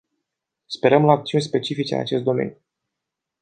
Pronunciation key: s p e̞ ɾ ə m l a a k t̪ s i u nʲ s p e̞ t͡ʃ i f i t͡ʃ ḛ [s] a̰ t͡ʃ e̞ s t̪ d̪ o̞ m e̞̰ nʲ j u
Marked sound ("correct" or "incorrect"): incorrect